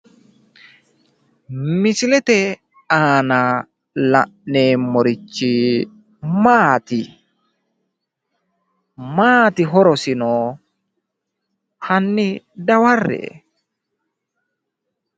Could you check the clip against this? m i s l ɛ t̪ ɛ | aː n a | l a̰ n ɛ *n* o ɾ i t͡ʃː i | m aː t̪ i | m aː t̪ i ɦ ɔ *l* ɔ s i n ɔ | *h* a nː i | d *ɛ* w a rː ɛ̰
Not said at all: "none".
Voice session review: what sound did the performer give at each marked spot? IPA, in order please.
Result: m, ɾ, h, a

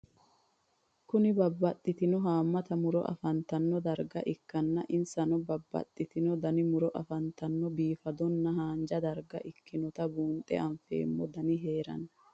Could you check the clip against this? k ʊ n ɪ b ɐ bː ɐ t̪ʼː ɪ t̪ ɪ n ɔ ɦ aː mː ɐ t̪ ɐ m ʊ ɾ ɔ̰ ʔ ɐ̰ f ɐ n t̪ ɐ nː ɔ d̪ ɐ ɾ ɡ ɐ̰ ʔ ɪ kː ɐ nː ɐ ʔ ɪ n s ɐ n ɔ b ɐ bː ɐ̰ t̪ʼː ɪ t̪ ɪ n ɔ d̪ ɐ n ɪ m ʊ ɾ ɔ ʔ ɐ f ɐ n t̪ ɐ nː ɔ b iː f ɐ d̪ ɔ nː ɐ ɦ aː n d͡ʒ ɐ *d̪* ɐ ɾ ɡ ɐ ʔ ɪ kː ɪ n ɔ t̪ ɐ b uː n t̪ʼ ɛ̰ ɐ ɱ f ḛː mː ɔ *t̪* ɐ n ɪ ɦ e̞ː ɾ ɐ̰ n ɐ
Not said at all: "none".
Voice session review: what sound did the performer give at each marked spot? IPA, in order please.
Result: d̪, d̪

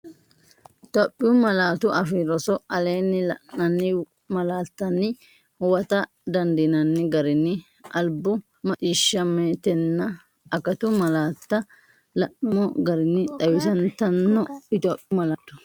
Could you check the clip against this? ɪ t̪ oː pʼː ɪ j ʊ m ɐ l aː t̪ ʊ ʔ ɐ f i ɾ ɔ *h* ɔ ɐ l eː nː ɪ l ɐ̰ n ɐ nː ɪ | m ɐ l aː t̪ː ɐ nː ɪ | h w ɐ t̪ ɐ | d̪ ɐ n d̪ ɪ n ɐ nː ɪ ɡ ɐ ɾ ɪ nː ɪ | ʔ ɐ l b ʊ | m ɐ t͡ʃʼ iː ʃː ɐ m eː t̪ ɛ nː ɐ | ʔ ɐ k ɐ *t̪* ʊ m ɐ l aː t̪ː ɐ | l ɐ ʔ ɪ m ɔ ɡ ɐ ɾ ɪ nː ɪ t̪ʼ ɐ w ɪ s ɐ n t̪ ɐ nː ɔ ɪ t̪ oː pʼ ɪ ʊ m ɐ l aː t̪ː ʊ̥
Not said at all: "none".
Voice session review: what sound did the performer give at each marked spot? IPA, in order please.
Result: s, t̪

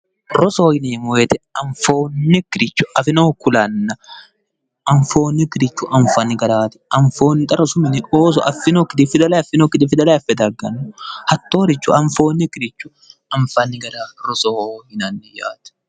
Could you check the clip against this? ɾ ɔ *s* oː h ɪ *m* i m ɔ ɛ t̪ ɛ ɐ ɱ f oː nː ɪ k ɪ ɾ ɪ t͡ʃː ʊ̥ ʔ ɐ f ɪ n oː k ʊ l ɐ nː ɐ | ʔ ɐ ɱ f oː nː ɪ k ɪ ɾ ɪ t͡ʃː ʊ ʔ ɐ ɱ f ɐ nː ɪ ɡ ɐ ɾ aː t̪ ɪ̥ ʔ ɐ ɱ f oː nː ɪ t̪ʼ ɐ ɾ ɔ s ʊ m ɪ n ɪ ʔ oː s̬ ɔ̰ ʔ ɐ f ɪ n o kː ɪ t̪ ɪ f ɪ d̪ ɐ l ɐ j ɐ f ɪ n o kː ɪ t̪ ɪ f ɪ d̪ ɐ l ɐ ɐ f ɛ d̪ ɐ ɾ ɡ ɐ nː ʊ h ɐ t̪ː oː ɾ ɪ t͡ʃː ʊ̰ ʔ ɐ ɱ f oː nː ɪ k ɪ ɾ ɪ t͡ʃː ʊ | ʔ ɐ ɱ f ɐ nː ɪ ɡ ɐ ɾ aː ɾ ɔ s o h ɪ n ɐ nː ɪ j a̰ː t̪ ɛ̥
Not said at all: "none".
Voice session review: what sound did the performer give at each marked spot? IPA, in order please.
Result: s, n

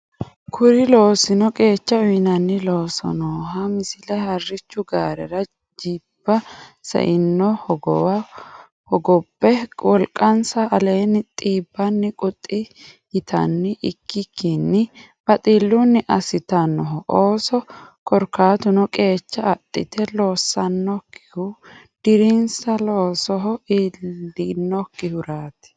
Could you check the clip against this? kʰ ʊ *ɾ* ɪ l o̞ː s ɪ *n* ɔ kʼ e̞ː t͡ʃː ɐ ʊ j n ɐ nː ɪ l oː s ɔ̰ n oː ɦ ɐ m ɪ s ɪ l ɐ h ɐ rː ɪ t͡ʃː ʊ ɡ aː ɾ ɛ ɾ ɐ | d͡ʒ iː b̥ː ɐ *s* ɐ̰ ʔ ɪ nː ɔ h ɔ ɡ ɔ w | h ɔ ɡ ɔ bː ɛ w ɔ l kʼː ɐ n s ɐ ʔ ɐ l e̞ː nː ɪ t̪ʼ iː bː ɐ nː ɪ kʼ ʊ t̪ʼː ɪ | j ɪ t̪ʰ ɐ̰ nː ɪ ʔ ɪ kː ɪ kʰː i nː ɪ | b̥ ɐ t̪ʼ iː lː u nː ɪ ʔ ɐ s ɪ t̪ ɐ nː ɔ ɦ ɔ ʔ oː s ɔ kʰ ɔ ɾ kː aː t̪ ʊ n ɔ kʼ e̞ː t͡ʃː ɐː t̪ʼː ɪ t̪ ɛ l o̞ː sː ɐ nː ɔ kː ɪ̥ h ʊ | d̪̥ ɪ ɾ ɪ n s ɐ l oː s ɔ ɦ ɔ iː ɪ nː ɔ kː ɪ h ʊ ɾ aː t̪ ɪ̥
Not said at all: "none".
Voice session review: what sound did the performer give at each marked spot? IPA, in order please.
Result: ɾ, n, s

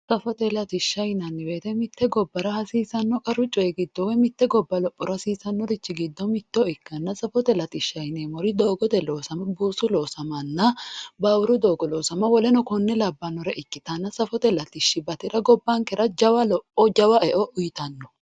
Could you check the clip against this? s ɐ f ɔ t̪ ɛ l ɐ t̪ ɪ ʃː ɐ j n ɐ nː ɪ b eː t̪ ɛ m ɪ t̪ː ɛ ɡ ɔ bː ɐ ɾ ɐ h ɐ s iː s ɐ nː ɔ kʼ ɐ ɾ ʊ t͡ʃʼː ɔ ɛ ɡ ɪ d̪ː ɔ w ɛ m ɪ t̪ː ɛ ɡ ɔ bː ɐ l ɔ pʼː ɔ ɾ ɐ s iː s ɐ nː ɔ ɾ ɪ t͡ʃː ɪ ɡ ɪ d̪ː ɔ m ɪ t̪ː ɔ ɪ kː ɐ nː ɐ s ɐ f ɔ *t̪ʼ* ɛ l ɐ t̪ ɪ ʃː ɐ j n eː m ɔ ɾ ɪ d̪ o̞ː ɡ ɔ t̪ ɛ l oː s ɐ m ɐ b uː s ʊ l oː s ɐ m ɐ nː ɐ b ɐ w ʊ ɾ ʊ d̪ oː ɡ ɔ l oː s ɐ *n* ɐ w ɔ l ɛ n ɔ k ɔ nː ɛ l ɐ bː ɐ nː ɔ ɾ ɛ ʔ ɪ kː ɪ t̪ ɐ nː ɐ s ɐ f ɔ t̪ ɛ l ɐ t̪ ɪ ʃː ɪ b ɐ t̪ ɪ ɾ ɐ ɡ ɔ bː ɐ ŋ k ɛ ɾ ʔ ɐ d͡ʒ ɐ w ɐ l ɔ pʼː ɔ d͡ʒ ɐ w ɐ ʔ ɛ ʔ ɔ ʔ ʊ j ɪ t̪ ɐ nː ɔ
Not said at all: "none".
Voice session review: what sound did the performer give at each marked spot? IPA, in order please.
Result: t̪, m

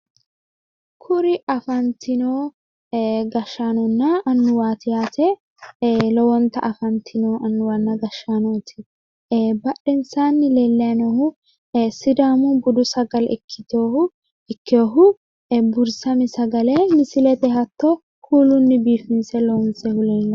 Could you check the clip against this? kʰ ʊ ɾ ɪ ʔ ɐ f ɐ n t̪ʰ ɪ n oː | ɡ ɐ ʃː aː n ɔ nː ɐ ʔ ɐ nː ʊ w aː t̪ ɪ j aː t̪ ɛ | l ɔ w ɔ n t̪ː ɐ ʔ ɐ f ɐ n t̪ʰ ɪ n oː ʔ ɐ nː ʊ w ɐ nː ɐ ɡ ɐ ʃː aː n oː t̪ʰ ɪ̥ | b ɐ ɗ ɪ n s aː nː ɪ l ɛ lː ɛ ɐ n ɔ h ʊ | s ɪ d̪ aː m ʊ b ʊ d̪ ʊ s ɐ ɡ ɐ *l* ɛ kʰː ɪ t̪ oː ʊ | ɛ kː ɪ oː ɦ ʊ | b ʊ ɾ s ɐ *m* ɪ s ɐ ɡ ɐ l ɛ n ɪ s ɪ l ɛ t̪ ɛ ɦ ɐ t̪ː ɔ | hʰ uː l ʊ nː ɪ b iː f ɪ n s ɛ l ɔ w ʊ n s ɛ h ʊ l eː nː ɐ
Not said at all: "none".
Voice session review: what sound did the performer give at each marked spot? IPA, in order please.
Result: l, m

